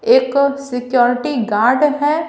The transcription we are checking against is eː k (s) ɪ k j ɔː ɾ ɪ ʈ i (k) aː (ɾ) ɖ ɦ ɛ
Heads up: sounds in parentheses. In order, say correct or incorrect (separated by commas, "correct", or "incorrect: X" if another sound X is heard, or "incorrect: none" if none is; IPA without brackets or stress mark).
correct, incorrect: ɡ, correct